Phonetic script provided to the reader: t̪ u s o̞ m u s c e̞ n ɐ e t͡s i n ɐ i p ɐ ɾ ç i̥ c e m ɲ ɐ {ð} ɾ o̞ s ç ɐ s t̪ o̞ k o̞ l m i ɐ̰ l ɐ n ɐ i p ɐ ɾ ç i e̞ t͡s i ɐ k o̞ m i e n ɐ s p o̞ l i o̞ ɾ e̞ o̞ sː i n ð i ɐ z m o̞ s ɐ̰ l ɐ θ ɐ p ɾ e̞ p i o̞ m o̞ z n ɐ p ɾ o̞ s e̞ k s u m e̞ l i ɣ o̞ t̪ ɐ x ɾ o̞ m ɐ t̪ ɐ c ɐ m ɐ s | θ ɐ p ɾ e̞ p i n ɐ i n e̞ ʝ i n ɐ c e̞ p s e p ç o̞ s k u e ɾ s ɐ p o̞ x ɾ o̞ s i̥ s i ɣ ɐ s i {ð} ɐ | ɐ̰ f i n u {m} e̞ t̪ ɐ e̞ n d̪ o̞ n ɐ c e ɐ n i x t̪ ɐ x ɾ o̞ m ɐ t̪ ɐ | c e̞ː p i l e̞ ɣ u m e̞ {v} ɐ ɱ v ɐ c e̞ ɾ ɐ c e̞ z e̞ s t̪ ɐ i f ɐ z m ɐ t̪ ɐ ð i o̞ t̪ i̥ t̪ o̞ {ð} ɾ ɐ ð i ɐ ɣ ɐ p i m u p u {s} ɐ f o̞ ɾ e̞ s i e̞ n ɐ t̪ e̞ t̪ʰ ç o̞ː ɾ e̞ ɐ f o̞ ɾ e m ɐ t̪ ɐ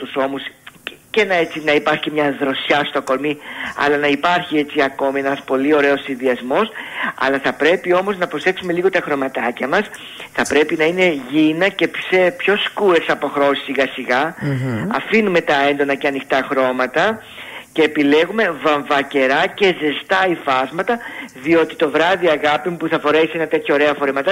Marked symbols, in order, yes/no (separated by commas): yes, no, yes, yes, no, no